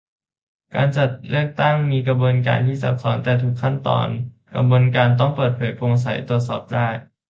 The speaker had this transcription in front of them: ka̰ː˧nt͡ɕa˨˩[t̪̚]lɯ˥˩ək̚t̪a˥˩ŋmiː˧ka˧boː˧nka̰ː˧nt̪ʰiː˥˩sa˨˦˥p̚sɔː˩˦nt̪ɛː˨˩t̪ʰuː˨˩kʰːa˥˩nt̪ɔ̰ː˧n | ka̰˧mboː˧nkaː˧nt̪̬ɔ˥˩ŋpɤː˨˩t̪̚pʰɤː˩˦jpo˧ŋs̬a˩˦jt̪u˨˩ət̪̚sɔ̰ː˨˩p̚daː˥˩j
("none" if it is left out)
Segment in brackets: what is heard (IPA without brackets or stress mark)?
t̪̚